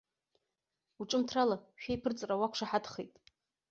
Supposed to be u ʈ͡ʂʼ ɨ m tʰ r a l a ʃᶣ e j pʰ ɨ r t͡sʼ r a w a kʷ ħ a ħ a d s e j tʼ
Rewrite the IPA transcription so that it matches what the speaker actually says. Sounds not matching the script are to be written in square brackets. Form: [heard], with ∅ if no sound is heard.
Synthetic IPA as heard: u ʈ͡ʂʼ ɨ m tʰ r a l a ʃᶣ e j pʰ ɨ r t͡sʼ r a w a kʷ [ʂ] a ħ a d [χ] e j tʼ